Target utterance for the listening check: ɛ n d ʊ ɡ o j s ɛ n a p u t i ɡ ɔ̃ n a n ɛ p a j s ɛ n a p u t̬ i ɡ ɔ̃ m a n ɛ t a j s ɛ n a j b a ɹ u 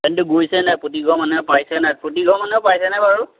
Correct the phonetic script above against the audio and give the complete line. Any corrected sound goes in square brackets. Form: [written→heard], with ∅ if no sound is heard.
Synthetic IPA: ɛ n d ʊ ɡ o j s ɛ n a p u t i ɡ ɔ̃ [n→m] a n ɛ p a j s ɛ n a p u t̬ i ɡ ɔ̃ m a n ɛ [t→p] a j s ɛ n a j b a ɹ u